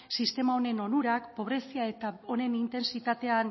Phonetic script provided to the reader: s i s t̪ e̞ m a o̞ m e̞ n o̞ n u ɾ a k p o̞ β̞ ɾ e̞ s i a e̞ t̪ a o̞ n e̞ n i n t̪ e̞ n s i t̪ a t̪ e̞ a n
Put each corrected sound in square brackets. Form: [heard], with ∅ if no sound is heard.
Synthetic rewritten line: s i s t̪ e̞ m a o̞ [n] e̞ n o̞ n u ɾ a k p o̞ β̞ ɾ e̞ s i a e̞ t̪ a o̞ n e̞ n i n t̪ e̞ n s i t̪ a t̪ e̞ a n